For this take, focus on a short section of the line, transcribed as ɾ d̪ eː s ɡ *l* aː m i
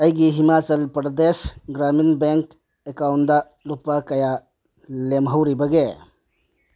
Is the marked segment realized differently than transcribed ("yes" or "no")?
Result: yes